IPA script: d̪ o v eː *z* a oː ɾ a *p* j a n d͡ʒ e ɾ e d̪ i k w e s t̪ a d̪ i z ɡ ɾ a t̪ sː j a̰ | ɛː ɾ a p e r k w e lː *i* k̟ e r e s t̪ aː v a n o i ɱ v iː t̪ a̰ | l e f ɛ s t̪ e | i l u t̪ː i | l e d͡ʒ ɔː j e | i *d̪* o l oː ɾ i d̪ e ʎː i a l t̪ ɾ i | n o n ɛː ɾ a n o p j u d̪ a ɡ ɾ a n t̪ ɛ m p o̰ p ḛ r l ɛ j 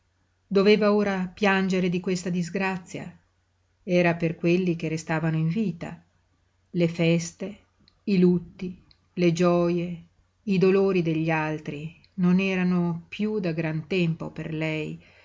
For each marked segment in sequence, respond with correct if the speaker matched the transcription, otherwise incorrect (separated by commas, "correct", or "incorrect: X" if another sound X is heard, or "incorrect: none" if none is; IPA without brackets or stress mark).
incorrect: v, correct, correct, correct